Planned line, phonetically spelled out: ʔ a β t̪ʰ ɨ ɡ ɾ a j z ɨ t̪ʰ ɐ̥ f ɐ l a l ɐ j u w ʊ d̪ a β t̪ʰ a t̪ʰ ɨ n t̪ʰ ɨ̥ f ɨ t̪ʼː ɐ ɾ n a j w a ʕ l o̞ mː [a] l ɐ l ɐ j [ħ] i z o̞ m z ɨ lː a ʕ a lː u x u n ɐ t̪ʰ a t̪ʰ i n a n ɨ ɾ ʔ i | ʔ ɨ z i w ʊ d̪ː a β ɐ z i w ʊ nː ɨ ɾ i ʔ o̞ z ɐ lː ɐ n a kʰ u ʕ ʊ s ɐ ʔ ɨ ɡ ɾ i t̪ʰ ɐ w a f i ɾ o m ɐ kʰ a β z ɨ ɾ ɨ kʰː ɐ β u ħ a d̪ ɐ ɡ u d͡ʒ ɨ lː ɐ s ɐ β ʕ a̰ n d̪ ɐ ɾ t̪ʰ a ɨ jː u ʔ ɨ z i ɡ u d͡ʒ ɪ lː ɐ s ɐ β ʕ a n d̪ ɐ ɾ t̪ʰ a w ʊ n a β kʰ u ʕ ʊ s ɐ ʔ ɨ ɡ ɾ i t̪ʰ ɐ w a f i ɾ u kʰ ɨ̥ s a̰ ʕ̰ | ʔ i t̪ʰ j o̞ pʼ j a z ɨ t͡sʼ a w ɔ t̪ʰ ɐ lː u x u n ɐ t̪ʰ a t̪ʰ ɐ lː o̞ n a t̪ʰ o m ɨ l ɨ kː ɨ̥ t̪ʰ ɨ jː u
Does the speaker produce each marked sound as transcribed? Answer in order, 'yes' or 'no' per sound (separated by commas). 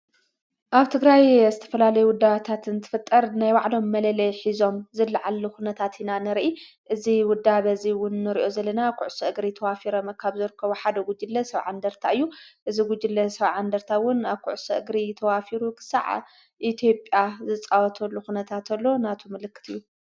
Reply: no, yes